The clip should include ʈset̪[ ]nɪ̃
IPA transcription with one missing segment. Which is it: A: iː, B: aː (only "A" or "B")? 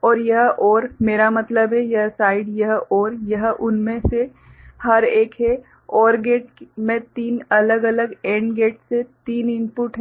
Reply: A